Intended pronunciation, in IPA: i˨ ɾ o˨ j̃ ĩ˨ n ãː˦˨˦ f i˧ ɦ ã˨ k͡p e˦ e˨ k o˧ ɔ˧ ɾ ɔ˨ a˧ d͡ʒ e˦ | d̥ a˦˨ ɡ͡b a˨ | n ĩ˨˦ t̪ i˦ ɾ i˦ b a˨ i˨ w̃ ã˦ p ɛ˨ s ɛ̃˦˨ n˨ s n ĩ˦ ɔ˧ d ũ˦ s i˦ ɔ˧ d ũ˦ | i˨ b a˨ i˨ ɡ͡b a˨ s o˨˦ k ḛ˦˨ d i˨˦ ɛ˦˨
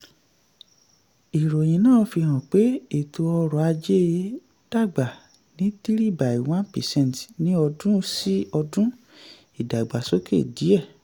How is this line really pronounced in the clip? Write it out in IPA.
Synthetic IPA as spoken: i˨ ɾ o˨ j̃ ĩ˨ n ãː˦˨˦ f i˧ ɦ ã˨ k͡p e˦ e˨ t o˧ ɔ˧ ɾ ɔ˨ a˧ d͡ʒ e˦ | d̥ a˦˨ ɡ͡b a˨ | n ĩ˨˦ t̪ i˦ ɾ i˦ b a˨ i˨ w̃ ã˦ p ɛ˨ s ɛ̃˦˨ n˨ t n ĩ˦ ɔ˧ d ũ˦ s i˦ ɔ˧ d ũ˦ | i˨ d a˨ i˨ ɡ͡b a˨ s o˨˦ k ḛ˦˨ d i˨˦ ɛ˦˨